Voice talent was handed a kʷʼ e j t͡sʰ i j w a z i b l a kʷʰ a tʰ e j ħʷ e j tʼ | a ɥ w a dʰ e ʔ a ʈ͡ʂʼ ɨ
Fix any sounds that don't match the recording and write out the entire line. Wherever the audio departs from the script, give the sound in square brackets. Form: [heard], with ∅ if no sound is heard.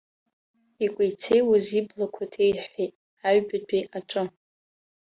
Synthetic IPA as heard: [i] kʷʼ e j t͡sʰ [e] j w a z i b l a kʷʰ a tʰ e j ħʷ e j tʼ | a ɥ [b] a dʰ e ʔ a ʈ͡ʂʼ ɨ